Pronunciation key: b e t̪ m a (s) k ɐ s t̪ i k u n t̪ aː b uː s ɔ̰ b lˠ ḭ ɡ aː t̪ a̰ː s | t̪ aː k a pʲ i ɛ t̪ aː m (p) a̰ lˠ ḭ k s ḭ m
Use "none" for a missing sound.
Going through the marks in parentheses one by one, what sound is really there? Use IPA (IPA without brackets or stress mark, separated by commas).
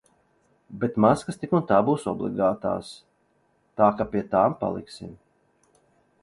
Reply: s, p